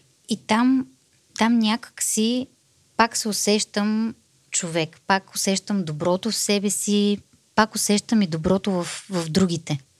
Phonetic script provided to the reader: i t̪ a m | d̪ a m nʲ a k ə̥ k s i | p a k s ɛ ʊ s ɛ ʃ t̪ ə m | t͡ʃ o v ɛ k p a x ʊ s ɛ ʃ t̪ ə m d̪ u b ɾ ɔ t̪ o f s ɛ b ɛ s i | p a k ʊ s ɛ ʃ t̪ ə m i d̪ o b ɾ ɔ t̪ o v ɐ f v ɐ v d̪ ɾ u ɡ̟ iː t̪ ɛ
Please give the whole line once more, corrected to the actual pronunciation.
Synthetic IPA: i t̪ a m | t̪ a m nʲ a k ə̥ k s i | p a k s ɛ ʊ s ɛ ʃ t̪ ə m | t͡ʃ o v ɛ k p a k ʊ s ɛ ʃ t̪ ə m d̪ o b ɾ ɔ t̪ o f s ɛ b ɛ s i | p a k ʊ s ɛ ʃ t̪ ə m i d̪ o b ɾ ɔ t̪ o v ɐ f v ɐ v d̪ ɾ u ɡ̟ i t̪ ɛ